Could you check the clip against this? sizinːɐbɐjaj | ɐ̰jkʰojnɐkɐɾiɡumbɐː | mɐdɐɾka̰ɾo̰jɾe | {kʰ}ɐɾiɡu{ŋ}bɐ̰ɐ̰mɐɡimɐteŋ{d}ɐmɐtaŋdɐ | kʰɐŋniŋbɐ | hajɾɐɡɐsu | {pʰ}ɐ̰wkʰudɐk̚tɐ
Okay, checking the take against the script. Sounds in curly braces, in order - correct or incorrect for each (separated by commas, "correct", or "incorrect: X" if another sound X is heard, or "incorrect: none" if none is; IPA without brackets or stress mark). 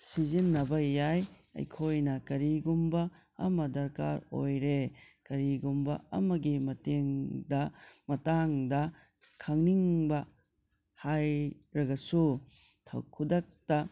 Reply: incorrect: k, incorrect: m, correct, incorrect: tʰ